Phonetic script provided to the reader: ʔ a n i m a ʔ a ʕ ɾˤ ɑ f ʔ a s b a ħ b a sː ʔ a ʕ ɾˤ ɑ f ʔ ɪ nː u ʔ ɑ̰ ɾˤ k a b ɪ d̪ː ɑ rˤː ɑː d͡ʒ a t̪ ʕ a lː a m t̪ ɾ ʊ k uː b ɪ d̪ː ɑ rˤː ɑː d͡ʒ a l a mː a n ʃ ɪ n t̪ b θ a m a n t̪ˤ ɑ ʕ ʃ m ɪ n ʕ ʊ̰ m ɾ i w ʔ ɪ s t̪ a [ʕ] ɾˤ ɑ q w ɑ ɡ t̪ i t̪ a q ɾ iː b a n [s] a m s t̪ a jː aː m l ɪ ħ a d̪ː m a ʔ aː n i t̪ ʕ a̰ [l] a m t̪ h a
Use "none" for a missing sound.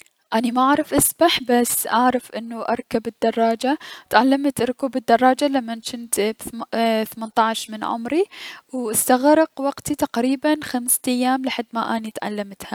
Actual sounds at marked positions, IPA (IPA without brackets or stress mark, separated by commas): ɣ, x, lː